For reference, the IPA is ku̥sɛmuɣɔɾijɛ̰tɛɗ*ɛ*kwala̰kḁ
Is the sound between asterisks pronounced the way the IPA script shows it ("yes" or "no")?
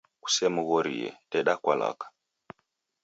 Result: no